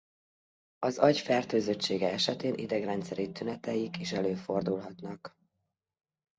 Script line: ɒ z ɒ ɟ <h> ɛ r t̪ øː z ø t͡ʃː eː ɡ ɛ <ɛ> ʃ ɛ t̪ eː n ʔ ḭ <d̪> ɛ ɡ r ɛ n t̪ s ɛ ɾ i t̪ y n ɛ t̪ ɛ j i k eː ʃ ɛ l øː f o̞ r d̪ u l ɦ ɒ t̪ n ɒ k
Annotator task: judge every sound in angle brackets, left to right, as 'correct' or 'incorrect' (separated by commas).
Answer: incorrect, correct, correct